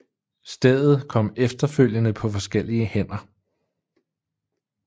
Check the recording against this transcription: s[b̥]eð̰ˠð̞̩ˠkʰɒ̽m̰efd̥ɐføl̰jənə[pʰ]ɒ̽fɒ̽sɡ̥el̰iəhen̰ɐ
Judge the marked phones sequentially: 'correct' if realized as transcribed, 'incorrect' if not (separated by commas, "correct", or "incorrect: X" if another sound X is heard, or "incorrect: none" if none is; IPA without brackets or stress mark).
incorrect: d̥, correct